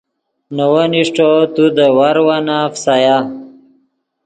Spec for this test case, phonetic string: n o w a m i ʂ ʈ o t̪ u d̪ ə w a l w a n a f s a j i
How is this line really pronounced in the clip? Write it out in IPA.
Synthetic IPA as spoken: n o w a n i ʂ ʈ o t̪ u d̪ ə w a ɾ w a n a f s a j a